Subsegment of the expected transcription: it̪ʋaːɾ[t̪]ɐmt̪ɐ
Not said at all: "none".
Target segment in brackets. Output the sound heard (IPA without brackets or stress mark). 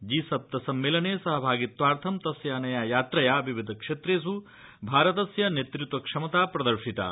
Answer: t̪ʰ